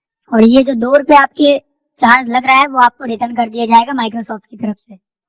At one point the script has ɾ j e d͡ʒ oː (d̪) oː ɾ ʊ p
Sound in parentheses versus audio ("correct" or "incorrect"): correct